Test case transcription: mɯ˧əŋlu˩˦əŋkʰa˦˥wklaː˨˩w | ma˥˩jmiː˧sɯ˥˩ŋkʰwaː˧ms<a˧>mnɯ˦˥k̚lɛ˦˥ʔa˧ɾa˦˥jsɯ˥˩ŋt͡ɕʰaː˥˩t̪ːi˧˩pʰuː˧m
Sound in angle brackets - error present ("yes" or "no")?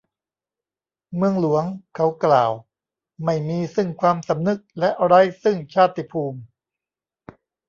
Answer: yes